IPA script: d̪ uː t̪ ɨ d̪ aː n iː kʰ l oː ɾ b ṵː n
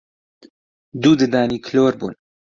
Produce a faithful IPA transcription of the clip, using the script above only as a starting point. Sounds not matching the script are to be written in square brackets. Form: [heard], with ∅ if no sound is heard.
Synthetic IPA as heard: d̪ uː [d̪] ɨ d̪ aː n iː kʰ l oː ɾ b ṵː n